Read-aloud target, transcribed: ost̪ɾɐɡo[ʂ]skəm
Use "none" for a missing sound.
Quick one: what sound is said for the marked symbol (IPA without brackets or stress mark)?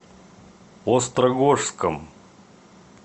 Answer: ʂ